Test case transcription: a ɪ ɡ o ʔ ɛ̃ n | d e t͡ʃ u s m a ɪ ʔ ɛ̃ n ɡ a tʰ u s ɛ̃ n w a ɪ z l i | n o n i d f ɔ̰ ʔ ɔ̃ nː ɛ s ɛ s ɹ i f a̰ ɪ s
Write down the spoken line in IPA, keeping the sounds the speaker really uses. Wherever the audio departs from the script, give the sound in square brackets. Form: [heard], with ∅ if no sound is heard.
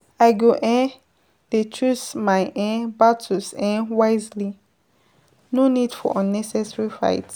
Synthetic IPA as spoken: a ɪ ɡ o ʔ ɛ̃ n | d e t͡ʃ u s m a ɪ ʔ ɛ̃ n [b] a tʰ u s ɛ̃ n w a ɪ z l i | n o n i d f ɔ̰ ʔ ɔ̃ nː ɛ s ɛ s ɹ i f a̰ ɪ [t]